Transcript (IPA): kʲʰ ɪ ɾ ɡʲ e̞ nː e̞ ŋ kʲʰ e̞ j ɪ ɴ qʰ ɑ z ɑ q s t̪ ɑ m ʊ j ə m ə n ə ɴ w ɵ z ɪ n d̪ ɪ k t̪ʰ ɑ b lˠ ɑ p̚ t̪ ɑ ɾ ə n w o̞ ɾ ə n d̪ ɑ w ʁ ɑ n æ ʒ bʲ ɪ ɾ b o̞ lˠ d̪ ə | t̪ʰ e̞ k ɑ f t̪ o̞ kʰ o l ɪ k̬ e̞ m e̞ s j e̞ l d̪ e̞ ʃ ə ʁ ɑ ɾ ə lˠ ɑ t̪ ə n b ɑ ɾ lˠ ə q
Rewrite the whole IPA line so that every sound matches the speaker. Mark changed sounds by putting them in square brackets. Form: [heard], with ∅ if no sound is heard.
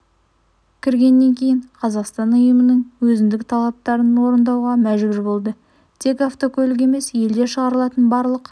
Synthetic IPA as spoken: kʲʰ ɪ ɾ ɡʲ e̞ nː e̞ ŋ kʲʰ e̞ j ɪ ɴ qʰ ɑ z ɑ q s t̪ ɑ [n] ʊ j ə m ə n ə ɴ w ɵ z ɪ n d̪ ɪ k t̪ʰ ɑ [∅] lˠ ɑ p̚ t̪ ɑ ɾ ə n w o̞ ɾ ə n d̪ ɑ w ʁ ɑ [m] æ ʒ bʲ ɪ ɾ b o̞ lˠ d̪ ə | t̪ʰ e̞ k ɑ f t̪ o̞ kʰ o l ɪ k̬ e̞ m e̞ s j e̞ l d̪ e̞ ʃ ə ʁ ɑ ɾ ə lˠ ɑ t̪ ə n b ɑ ɾ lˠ ə q